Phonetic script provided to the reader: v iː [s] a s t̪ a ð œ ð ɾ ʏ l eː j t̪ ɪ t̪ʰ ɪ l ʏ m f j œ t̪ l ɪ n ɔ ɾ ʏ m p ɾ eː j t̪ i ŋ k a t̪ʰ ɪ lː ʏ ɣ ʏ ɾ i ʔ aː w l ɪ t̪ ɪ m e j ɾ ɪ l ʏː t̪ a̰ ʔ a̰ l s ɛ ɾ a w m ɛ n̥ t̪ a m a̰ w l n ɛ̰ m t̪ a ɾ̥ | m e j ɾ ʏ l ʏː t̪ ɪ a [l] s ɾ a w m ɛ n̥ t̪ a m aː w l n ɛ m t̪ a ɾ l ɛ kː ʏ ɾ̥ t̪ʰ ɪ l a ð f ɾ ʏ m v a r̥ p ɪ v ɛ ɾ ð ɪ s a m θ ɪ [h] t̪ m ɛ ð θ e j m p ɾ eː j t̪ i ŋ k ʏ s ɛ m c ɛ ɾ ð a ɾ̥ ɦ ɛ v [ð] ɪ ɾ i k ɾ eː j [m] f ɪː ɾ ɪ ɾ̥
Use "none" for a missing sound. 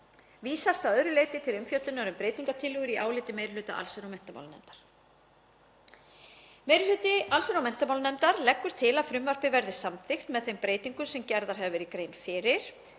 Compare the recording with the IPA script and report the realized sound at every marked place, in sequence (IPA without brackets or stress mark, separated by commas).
s, l, x, v, n